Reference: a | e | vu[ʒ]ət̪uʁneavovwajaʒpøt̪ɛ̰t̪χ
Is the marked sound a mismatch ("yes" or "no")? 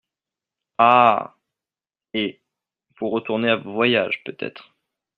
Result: yes